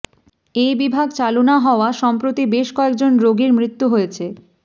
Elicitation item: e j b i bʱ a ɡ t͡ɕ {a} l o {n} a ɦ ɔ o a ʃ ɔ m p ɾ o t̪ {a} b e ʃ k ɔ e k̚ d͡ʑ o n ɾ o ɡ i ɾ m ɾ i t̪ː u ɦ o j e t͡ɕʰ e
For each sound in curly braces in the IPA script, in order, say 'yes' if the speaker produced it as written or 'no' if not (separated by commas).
yes, yes, no